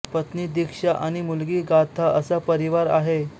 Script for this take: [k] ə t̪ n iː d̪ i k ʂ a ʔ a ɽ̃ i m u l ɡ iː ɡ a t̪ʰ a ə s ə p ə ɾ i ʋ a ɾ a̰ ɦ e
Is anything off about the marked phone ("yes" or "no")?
yes